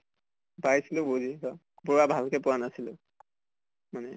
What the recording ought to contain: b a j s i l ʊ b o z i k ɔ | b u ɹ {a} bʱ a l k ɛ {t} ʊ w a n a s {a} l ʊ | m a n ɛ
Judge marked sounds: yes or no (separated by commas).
yes, no, no